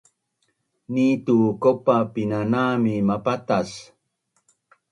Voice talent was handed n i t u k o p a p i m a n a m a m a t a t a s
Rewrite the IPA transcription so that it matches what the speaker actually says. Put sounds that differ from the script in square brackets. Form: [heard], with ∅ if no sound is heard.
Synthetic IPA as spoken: n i t u k o p a p i [n] a n a m [i] m a [p] a t a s